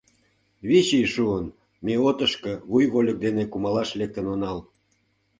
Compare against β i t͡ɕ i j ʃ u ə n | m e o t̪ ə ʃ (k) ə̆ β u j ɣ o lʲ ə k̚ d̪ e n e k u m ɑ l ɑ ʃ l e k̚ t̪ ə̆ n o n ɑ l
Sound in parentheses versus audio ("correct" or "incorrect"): correct